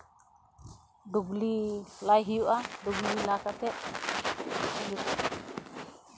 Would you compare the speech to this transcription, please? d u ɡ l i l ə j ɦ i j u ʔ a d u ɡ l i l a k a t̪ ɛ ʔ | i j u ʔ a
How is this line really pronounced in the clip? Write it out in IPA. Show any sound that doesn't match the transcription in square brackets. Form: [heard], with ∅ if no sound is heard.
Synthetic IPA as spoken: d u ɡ l i l [a] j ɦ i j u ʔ a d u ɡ l i l a k a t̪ ɛ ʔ | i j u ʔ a

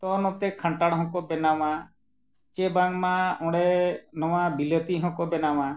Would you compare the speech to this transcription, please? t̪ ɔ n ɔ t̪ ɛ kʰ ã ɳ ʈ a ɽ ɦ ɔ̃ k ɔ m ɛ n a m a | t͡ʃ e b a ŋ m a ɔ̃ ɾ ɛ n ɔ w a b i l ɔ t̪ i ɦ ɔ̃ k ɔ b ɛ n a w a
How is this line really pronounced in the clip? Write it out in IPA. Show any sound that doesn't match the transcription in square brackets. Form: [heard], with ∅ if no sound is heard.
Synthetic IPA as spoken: t̪ ɔ n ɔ t̪ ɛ kʰ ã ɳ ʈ a ɽ ɦ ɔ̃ k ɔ [b] ɛ n a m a | t͡ʃ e b a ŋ m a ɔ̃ [ɽ] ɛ n ɔ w a b i l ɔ t̪ i ɦ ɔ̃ k ɔ b ɛ n a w a

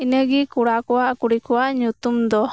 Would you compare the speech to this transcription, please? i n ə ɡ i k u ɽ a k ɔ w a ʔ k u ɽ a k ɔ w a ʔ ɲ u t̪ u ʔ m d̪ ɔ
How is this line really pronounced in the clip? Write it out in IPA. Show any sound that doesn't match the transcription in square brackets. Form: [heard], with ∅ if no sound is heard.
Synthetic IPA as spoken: i n ə ɡ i k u ɽ a k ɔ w a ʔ k u ɽ [i] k ɔ w a ʔ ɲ u t̪ u [∅] m d̪ ɔ

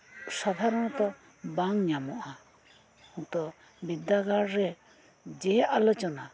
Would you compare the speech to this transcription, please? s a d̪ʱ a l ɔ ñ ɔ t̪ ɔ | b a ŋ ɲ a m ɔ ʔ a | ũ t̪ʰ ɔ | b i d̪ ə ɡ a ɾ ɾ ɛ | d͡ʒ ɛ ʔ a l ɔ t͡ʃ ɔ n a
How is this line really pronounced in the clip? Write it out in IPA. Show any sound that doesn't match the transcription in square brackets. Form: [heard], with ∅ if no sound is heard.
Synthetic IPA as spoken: s a d̪ʱ a [ɾ] ɔ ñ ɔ t̪ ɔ | b a ŋ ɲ a m ɔ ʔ a | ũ [t̪] ɔ | b i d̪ [a] ɡ a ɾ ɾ ɛ | d͡ʒ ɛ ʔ a l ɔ t͡ʃ ɔ n a

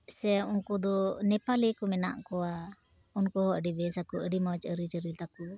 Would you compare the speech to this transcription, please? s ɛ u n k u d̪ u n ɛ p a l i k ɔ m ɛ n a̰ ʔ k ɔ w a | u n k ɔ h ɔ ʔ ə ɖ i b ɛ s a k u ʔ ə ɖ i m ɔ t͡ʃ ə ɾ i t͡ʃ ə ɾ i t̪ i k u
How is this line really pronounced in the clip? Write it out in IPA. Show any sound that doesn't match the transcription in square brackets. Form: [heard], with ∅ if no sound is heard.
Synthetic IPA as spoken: s ɛ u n k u d̪ [ɔ] n ɛ p a l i k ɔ m ɛ n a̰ ʔ k ɔ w a | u n k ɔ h ɔ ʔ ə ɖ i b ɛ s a k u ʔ ə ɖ i m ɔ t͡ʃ ə ɾ i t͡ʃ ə ɾ i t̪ [a] k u

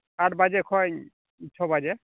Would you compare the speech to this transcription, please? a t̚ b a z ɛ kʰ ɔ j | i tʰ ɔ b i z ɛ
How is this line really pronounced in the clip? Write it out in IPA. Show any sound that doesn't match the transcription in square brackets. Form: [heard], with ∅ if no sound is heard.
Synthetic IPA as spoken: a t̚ b a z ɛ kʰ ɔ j | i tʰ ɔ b [a] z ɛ

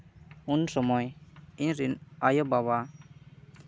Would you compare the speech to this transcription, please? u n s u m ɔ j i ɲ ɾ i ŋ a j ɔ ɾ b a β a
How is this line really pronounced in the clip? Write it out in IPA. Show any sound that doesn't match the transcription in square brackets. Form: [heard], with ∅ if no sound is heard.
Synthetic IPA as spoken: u n s [ɔ] m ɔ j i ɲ ɾ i [n] a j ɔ [∅] b a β a

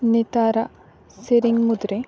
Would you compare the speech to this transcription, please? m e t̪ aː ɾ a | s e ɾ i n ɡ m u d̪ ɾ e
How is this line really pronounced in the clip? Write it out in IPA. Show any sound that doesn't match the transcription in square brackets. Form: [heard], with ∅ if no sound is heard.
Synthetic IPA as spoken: [n] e t̪ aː ɾ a | s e ɾ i [ŋ] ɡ m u d̪ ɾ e

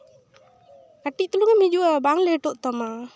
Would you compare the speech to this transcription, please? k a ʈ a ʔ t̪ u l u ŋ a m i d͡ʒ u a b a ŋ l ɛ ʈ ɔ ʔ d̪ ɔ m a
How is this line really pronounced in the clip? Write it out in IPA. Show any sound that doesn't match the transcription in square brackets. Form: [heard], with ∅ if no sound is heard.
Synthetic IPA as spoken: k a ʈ [i] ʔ t̪ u l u ŋ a m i d͡ʒ u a b a ŋ l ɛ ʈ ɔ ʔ [t̪] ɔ m a

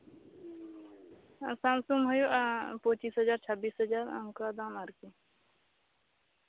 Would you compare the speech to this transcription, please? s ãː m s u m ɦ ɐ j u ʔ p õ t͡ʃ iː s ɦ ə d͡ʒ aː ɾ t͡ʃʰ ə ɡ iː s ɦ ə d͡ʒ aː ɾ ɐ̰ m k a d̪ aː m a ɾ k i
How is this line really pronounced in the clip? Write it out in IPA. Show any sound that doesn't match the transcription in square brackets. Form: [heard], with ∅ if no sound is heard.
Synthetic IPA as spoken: s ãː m s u m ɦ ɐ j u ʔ p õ t͡ʃ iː s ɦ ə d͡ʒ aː ɾ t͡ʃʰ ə [b] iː s ɦ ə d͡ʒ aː ɾ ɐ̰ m k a d̪ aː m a ɾ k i

